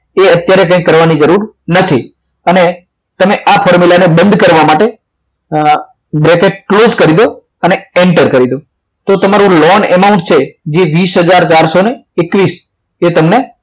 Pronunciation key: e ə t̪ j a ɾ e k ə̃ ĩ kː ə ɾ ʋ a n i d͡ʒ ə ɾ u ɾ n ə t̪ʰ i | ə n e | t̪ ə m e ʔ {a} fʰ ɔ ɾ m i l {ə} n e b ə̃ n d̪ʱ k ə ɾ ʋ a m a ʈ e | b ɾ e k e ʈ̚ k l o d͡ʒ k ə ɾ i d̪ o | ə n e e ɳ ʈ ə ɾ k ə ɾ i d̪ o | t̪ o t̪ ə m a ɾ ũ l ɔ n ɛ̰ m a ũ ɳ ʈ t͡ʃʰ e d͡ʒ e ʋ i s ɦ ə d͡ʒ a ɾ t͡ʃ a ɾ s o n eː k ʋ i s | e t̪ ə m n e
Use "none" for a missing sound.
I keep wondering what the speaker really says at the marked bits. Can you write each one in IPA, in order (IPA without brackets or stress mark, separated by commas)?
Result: a, a